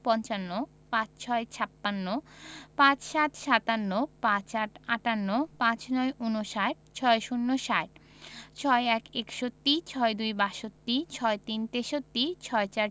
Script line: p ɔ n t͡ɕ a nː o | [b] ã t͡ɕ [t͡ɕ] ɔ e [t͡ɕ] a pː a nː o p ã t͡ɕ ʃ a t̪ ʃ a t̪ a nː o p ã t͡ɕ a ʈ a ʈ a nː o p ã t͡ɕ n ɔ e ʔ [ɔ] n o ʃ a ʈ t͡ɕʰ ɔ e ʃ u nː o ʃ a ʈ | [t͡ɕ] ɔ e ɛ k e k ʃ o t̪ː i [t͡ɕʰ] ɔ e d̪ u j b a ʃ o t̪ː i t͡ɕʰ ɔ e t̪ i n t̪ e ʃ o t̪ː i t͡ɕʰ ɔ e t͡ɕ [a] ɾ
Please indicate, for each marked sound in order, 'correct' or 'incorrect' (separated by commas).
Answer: incorrect, incorrect, incorrect, incorrect, incorrect, correct, correct